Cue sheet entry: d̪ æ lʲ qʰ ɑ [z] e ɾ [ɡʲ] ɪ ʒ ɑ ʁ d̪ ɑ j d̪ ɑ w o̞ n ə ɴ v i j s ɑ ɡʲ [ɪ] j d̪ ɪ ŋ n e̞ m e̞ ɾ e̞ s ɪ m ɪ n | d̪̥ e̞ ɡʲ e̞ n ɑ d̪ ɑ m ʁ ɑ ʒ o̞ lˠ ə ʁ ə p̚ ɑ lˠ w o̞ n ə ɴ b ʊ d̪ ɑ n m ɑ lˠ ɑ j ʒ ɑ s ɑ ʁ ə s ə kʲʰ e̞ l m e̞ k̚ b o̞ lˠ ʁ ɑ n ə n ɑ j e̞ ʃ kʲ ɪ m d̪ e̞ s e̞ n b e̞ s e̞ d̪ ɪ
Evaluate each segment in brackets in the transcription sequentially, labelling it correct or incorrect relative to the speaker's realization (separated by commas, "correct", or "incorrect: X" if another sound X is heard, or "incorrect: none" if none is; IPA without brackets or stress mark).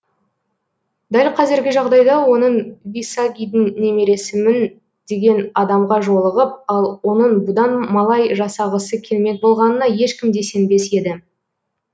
correct, correct, incorrect: i